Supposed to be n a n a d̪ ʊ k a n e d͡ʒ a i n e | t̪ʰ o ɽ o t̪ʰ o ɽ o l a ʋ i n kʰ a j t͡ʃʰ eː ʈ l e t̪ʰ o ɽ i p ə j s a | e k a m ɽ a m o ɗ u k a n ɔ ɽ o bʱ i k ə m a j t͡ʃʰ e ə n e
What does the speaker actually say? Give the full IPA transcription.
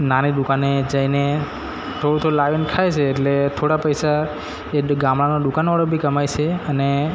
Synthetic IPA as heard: n a n i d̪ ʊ k a n e d͡ʒ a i n e | t̪ʰ o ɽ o t̪ʰ o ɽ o l a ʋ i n kʰ a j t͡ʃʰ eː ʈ l e t̪ʰ o ɽ a p ə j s a | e ɡ a m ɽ a n o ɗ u k a n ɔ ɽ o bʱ i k ə m a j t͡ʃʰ e ə n e